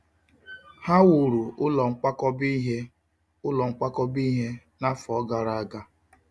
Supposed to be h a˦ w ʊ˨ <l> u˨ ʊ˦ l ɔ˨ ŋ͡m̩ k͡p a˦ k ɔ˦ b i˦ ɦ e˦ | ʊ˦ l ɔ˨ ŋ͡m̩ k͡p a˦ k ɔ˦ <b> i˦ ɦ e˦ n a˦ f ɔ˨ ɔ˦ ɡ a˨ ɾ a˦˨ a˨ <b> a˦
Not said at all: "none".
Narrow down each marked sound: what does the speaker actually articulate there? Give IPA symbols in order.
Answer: ɾ, b, ɡ

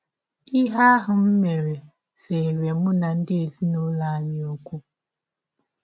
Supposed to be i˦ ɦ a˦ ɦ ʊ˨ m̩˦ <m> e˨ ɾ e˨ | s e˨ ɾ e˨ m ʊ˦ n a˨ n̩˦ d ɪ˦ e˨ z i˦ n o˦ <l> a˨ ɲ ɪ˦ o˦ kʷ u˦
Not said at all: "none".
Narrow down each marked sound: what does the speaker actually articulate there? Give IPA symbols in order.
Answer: m, l

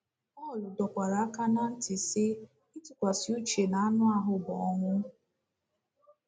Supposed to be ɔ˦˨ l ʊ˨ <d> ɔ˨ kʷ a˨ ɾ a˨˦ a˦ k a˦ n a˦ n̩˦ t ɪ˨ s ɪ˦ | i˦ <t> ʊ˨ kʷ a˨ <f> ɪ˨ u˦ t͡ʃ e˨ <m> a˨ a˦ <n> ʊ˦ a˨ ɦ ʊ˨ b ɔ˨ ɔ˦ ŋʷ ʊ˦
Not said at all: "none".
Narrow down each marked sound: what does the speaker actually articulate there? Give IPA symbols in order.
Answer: d, t, s, n, n

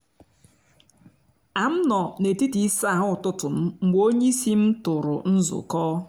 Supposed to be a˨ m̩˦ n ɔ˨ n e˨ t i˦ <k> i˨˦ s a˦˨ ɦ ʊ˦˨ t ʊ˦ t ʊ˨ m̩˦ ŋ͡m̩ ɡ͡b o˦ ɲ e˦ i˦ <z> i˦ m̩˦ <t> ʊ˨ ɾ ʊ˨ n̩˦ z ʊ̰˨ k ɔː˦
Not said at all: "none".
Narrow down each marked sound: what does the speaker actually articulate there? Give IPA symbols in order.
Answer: t, s, t

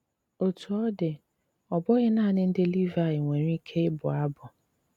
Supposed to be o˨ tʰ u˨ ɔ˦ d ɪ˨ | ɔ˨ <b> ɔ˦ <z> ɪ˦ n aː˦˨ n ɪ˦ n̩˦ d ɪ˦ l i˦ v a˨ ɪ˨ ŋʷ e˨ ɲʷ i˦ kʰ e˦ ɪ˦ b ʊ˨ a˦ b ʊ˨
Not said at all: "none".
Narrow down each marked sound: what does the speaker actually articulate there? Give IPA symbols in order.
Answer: b, ɣ

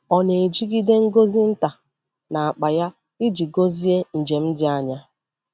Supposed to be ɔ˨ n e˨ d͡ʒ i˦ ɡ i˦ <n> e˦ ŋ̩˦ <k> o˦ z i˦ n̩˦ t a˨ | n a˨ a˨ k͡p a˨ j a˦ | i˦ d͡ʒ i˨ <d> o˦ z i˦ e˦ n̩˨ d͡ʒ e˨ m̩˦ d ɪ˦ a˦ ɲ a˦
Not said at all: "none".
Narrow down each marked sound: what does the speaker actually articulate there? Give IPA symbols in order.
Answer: d, ɡ, ɡ

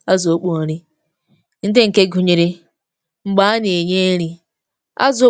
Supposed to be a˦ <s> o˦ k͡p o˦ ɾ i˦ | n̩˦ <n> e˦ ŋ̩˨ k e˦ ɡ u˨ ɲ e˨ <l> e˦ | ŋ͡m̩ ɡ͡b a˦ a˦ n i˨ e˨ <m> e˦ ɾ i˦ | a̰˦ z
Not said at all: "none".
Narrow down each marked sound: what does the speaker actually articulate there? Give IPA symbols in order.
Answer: z, d, ɾ, ɲ

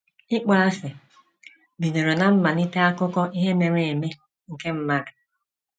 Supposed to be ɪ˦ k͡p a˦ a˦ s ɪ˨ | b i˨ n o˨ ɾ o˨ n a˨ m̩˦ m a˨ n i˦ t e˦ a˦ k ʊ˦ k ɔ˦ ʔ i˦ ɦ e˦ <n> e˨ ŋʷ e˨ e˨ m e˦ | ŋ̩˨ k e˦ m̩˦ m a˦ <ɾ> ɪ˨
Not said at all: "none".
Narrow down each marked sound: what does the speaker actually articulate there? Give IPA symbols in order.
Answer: m, ɾ

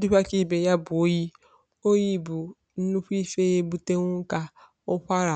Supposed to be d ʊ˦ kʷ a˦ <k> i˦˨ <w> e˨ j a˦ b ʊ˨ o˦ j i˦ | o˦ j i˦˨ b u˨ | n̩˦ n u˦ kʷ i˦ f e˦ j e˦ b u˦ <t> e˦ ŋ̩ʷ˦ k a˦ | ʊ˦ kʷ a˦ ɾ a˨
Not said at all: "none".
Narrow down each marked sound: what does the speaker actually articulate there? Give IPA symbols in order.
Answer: k, b, t

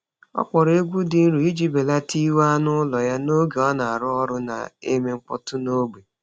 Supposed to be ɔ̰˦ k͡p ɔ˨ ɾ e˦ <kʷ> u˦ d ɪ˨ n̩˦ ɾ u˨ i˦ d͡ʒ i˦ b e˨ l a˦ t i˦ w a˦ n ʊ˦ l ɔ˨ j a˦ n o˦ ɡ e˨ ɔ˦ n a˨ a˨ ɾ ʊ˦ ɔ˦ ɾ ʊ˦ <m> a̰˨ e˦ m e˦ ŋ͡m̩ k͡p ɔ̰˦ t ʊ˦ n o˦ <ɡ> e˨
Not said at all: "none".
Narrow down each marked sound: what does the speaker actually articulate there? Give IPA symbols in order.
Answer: ɡʷ, n, ɡ͡b

